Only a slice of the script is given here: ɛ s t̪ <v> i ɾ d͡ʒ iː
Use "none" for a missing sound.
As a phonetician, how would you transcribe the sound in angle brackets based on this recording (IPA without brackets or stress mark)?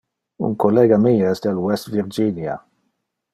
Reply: v